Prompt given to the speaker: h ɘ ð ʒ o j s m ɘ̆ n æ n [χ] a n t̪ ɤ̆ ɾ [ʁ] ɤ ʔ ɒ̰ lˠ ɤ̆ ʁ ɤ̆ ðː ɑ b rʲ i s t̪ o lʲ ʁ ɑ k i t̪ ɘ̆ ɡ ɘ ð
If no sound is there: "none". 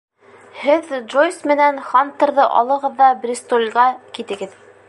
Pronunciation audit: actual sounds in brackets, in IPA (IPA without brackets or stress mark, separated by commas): χ, ð